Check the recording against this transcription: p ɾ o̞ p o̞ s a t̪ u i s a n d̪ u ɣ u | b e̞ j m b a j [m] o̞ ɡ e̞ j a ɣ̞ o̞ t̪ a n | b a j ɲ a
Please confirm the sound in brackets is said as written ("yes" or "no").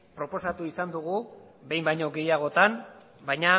no